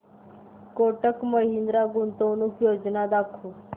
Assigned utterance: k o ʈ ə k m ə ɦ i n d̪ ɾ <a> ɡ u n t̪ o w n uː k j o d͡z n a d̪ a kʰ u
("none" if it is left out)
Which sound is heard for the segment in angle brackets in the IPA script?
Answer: a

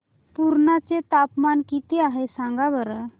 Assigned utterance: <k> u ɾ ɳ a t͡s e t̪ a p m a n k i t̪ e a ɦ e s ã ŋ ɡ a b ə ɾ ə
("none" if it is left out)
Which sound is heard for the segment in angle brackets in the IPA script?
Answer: p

